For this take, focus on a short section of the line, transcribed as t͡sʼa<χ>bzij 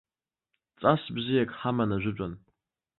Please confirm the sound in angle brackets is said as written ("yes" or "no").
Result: no